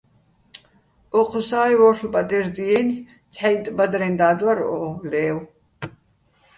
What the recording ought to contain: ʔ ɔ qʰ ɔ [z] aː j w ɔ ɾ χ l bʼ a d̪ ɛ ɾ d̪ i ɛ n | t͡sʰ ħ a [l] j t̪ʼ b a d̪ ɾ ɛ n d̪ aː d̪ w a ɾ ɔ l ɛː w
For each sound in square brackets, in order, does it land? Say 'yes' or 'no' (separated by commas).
no, no